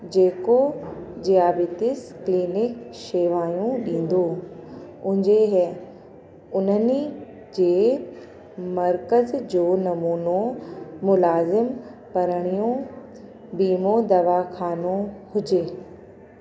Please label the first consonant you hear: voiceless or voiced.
voiced